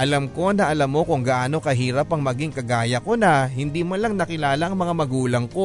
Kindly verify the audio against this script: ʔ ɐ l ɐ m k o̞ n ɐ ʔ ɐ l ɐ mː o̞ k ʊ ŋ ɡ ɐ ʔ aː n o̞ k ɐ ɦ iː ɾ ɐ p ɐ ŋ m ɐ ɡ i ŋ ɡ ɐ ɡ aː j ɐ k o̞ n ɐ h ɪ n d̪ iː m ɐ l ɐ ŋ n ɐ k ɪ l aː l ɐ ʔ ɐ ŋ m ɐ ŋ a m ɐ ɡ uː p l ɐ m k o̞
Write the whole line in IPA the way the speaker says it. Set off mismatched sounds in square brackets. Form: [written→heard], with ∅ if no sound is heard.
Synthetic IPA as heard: ʔ ɐ l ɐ m k o̞ n ɐ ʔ ɐ l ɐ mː o̞ k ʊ ŋ ɡ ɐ ʔ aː n o̞ k ɐ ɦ iː ɾ ɐ p ɐ ŋ m ɐ ɡ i ŋ [ɡ→k] ɐ ɡ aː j ɐ k o̞ n ɐ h ɪ n d̪ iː m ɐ l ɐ ŋ n ɐ k ɪ l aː l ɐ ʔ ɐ ŋ m ɐ ŋ a m ɐ ɡ uː [p→∅] l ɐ [m→ŋ] k o̞